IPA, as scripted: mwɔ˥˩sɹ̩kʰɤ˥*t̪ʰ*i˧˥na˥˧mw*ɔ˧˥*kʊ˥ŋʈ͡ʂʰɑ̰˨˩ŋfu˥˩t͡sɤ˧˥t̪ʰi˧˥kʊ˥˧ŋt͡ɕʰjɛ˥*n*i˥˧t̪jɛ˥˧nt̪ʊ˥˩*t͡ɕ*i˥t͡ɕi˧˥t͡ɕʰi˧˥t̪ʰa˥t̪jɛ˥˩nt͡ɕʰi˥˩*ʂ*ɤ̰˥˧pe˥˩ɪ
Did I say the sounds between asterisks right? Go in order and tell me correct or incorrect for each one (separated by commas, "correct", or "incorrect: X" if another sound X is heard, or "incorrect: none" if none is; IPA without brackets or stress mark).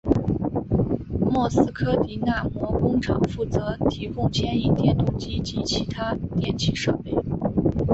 incorrect: t̪, incorrect: ɔ˥˩, correct, correct, correct